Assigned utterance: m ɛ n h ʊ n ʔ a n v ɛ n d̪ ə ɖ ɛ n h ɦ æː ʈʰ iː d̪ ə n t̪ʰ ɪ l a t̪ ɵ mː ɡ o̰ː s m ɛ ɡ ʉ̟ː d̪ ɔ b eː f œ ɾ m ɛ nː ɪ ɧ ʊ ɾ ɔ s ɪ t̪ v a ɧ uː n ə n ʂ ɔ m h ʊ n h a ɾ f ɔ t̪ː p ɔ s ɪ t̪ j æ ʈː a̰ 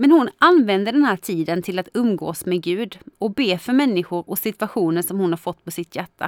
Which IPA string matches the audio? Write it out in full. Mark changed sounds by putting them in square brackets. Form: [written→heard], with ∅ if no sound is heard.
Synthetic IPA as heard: m ɛ n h ʊ n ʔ a n v ɛ n d̪ ə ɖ ɛ n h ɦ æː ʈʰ iː d̪ ə n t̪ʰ ɪ l a t̪ ɵ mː ɡ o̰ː s m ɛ ɡ ʉ̟ː d̪ ɔ b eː f œ ɾ m ɛ nː ɪ ɧ ʊ ɾ ɔ s ɪ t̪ v a ɧ uː n ə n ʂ ɔ m h ʊ n h a ɾ f ɔ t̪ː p ɔ s ɪ t̪ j æ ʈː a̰